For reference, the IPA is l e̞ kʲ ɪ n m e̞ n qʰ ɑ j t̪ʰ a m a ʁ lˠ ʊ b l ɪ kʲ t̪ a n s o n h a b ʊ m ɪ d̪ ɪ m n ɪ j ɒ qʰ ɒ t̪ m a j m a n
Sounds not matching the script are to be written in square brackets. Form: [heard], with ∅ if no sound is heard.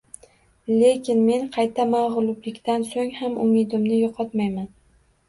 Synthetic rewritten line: l e̞ kʲ ɪ n m e̞ n qʰ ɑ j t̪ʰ a m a ʁ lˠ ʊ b l ɪ kʲ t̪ a n s o [ŋ] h a [m] ʊ m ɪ d̪ ɪ m n ɪ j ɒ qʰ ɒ t̪ m a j m a n